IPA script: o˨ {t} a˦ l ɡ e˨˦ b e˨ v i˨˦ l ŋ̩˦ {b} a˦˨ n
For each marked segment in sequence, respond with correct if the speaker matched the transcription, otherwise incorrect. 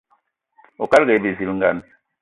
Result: incorrect, incorrect

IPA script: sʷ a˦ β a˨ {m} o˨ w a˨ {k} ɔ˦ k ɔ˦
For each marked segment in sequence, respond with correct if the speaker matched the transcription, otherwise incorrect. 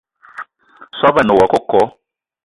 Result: incorrect, correct

